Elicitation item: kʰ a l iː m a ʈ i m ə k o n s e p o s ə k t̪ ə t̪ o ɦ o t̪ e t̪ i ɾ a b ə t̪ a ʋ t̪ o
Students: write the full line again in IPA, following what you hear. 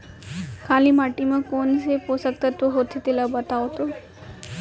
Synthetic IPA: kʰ a l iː m a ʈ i m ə k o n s e p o s ə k t̪ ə t̪ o ɦ o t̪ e t̪ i l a b ə t̪ a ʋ t̪ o